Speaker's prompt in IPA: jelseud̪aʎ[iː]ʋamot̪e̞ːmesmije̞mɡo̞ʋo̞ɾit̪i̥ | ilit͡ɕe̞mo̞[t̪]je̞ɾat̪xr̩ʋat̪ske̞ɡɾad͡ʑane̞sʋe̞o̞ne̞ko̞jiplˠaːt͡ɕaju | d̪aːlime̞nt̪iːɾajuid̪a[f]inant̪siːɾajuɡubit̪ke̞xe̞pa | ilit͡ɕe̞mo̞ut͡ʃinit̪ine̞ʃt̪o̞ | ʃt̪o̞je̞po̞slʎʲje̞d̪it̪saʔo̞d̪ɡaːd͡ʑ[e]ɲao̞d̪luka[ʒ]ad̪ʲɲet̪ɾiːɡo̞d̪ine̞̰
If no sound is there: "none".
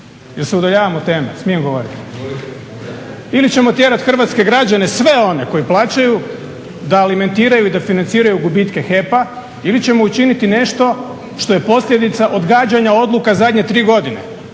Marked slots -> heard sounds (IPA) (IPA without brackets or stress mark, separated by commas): aː, t̪, f, a, z